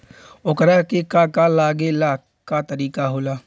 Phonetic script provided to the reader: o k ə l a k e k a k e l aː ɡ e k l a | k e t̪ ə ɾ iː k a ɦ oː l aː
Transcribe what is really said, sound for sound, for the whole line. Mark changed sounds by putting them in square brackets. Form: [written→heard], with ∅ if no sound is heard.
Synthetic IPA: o k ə [l→ɾ] a k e k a k [e→a] l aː ɡ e [k→∅] l a | k [e→a] t̪ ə ɾ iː k a ɦ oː l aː